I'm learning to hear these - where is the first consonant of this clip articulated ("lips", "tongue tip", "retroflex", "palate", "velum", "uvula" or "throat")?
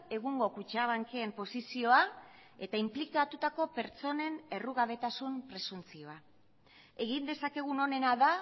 velum